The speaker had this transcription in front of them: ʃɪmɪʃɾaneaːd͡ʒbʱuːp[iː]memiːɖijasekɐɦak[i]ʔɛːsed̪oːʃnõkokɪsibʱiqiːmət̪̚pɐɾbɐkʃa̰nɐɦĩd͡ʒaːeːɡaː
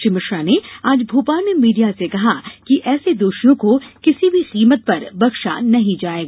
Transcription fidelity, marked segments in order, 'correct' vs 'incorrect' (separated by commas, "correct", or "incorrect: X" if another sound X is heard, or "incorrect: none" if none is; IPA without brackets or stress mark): incorrect: aː, correct